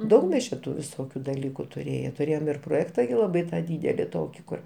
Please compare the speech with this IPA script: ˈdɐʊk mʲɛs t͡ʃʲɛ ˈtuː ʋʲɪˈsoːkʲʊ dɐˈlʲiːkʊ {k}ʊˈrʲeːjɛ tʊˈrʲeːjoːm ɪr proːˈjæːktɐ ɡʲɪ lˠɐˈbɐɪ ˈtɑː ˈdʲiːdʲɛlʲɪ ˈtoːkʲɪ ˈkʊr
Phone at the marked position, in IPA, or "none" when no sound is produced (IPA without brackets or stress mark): t